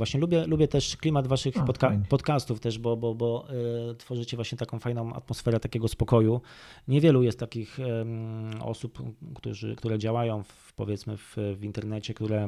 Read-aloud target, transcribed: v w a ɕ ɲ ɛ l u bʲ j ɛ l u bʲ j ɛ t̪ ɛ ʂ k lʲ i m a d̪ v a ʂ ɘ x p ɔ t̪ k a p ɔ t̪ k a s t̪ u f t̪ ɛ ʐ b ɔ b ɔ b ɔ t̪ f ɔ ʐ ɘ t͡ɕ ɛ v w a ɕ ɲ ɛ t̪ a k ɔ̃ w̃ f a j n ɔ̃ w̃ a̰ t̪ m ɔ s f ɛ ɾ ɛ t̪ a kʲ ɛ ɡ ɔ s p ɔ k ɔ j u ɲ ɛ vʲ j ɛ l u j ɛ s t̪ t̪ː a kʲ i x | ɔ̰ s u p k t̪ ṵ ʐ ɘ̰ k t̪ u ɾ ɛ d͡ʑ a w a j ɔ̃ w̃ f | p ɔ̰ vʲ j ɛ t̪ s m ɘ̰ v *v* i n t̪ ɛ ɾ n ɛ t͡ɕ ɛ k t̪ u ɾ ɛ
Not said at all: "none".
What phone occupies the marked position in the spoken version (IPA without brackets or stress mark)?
v